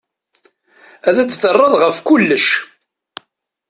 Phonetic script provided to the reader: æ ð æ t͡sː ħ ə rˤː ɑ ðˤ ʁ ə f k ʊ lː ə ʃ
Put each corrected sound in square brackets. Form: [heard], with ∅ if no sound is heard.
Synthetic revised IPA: æ ð æ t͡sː [θ] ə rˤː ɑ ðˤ ʁ ə f k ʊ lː ə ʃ